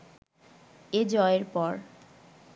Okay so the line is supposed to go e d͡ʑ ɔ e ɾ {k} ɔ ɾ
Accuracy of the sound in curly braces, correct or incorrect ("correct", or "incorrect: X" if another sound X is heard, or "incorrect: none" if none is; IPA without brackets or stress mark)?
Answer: incorrect: p